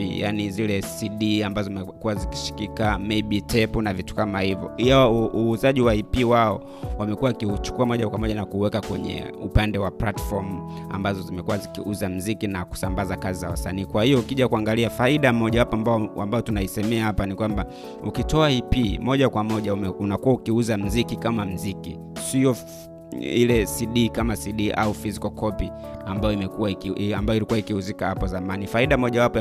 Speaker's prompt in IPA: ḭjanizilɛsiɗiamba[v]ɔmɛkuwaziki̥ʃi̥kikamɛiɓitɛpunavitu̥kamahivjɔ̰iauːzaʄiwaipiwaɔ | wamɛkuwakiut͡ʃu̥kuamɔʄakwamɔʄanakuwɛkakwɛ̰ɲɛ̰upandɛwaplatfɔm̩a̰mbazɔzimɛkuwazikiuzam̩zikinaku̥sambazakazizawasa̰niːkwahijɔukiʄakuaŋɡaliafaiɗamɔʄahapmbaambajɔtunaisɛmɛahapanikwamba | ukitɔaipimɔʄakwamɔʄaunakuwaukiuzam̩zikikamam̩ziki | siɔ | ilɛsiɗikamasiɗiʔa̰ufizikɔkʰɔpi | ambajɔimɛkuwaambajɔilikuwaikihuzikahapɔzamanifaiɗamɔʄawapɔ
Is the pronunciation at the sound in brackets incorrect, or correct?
incorrect